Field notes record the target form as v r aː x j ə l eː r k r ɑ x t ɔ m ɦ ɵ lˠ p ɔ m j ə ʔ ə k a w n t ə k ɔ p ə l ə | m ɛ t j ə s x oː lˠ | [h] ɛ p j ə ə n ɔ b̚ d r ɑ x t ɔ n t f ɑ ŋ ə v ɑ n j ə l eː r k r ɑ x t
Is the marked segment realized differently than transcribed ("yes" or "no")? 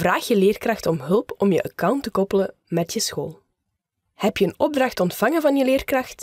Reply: no